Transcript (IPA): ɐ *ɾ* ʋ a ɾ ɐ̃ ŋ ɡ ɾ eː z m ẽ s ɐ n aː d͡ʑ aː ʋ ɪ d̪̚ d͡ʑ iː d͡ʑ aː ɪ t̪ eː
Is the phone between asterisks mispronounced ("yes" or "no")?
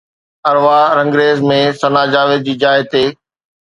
no